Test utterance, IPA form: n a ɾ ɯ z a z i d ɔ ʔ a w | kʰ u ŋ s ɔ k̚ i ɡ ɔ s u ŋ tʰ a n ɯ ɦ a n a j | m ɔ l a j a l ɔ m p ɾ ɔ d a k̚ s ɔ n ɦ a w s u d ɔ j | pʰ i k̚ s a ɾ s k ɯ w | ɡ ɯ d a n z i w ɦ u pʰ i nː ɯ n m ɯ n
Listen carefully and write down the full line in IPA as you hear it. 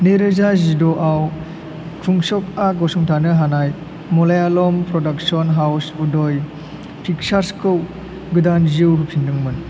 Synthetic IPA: n e ɾ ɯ z a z i d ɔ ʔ a w | kʰ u ŋ s ɔ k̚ a ɡ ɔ s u ŋ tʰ a n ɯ ɦ a n a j | m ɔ l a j a l ɔ m p ɾ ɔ d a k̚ s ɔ n ɦ a w s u d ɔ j | pʰ i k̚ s a ɾ s k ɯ w | ɡ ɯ d a n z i w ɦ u pʰ i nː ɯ ŋ m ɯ n